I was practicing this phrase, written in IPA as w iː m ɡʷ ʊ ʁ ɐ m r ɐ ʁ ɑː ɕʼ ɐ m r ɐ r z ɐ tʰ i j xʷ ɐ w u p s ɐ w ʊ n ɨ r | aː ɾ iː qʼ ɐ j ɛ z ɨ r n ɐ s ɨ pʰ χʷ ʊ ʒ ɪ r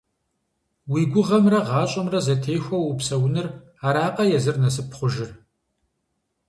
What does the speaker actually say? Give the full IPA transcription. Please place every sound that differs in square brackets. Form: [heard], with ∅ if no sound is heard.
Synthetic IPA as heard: w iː [∅] ɡʷ ʊ ʁ ɐ m r ɐ ʁ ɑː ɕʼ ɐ m r ɐ [∅] z ɐ tʰ [e] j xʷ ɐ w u p s ɐ w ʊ n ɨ r | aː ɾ [aː] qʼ ɐ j ɛ z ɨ r n ɐ s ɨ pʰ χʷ ʊ ʒ ɪ r